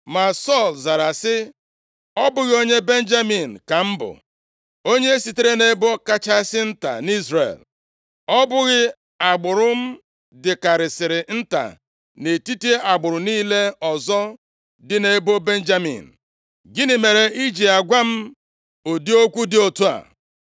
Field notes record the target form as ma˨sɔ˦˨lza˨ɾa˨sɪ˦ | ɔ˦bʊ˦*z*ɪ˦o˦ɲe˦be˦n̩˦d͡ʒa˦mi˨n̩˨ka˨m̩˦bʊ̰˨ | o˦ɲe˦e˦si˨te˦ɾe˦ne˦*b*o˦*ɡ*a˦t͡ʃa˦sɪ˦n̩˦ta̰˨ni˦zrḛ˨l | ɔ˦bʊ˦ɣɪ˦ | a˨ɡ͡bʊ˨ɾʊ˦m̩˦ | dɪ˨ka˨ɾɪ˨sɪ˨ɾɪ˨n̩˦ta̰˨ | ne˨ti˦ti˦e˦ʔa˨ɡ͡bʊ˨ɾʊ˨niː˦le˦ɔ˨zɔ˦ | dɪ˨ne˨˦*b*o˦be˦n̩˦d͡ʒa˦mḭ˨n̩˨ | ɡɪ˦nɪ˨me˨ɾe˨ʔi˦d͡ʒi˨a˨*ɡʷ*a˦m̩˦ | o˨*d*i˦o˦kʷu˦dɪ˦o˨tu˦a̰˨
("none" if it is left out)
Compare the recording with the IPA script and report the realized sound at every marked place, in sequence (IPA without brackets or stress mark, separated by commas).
ɣ, b, k, b, ɡʷ, d